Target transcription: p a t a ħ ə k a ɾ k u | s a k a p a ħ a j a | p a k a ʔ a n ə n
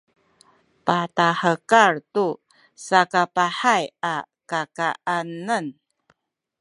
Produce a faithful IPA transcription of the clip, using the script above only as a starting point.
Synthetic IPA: p a t a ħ ə k a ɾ t u | s a k a p a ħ a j a | k a k a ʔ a n ə n